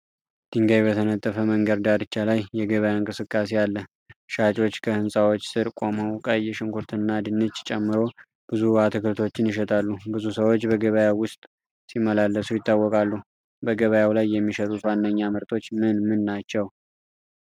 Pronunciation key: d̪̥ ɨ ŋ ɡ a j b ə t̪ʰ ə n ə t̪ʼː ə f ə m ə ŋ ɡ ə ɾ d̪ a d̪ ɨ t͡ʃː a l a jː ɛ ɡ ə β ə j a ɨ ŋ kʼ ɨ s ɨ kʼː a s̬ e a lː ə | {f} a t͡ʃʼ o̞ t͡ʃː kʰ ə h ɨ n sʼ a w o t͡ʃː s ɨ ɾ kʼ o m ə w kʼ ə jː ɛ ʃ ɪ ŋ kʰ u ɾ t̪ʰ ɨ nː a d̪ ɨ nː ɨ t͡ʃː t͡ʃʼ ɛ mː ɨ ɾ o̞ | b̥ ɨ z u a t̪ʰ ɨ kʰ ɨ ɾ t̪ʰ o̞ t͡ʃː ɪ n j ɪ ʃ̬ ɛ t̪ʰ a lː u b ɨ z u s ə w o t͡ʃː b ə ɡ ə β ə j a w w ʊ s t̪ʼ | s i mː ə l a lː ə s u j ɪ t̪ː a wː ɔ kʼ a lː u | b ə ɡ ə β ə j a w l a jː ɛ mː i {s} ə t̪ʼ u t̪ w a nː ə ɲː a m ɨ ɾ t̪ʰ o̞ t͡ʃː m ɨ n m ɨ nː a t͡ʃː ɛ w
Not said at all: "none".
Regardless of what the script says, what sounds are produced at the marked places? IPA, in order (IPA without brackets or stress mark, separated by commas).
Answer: ʃ, ʃ